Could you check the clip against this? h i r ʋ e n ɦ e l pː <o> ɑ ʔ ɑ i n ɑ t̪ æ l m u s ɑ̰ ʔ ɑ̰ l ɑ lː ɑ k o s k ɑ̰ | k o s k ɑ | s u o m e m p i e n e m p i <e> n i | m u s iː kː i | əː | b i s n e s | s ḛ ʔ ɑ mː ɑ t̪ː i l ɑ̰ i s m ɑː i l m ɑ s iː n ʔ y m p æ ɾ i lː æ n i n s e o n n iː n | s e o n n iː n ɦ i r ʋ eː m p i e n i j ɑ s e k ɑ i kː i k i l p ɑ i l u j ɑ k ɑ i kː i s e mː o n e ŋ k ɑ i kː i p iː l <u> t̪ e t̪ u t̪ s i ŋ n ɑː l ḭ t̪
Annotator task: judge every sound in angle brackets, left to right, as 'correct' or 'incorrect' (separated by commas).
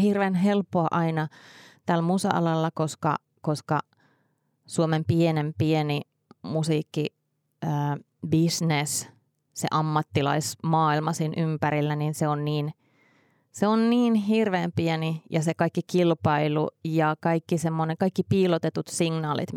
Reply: correct, correct, incorrect